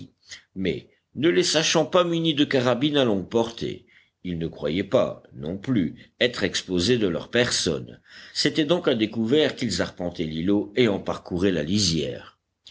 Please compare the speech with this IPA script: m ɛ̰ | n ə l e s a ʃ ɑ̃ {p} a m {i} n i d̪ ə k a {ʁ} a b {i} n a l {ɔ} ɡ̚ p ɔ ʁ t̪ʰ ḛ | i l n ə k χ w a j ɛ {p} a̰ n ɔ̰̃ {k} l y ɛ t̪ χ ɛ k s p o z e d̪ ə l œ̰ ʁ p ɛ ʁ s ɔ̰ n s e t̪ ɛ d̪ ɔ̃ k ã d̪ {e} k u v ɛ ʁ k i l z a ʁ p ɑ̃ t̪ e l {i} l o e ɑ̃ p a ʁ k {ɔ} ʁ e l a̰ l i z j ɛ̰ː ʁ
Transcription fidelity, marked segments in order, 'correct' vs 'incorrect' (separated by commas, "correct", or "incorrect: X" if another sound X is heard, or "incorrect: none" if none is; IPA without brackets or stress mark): correct, incorrect: y, correct, correct, incorrect: ɔ̃, correct, incorrect: p, correct, correct, incorrect: u